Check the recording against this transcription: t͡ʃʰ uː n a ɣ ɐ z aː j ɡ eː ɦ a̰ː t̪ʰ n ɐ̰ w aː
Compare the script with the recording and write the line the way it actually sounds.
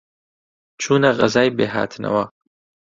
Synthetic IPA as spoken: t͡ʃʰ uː n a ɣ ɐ z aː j b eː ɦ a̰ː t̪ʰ n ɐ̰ w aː